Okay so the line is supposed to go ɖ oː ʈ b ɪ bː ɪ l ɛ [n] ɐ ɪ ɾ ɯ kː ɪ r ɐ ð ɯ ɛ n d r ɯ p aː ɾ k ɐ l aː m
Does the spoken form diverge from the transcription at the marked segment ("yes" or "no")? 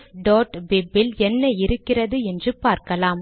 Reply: yes